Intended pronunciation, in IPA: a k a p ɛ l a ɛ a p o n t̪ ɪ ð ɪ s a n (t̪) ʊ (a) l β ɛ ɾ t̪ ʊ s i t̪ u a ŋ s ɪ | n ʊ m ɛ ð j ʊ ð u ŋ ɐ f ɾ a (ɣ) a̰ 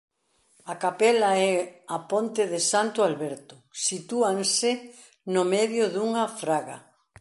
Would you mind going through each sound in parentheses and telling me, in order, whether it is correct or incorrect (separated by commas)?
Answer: correct, correct, correct